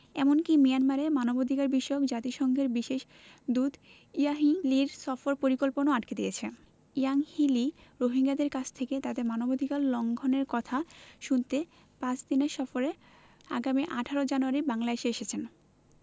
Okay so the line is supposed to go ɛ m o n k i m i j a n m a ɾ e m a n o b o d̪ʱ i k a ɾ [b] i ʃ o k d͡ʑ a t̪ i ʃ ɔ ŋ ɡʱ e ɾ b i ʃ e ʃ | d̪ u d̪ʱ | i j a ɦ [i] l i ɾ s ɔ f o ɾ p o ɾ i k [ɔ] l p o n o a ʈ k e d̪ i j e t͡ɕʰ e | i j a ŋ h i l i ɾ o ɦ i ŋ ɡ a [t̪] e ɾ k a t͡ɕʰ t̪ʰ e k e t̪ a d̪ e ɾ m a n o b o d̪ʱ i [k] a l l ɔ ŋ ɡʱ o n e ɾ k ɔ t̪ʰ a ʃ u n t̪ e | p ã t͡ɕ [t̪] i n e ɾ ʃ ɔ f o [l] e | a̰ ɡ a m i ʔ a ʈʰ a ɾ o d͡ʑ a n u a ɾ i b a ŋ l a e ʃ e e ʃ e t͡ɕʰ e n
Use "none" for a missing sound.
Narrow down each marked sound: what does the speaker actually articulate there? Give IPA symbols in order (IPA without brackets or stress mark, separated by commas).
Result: b, i, o, d̪, k, d̪, ɾ